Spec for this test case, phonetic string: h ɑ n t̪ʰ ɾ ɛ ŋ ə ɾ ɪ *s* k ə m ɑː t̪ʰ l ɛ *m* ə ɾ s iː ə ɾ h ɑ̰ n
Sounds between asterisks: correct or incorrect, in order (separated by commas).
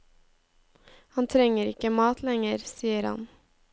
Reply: incorrect, incorrect